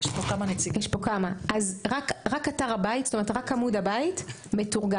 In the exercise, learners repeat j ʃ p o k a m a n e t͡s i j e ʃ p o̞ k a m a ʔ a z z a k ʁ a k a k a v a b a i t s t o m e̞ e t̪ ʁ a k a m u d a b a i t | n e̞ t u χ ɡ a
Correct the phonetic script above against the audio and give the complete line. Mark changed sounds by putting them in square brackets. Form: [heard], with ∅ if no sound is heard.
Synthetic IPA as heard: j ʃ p o k a m a n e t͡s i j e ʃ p o̞ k a m a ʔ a z [ʁ] a k ʁ a k a [t] a [ʁ] a b a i t s t o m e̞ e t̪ ʁ a k a m u d a b a i t | [m] e̞ t u [ʁ] ɡ a